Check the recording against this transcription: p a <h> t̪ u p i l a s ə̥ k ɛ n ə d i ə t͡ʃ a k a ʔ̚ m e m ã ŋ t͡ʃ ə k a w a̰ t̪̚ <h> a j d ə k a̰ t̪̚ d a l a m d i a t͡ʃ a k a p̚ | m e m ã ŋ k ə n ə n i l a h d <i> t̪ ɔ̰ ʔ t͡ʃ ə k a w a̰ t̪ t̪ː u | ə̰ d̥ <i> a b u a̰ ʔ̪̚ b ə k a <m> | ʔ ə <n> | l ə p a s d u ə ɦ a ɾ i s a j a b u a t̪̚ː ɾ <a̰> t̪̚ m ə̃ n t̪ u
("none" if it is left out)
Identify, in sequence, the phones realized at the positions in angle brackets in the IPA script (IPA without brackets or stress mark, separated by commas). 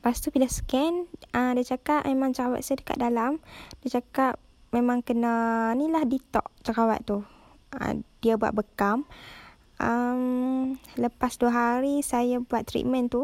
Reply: s, s, i, i, m, m, ḭ